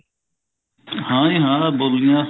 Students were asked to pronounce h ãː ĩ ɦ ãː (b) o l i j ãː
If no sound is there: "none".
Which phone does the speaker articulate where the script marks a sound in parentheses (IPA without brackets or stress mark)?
b